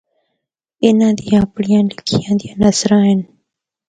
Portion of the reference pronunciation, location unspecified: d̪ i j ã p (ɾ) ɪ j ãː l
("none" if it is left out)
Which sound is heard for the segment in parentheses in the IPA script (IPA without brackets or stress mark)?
ɽ